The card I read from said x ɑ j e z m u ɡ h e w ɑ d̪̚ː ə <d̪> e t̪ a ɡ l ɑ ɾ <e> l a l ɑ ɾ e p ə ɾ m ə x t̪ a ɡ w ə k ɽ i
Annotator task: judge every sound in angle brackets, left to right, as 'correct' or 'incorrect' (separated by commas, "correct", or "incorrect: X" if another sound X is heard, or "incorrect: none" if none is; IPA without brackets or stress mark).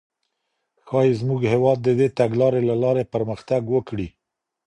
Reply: correct, correct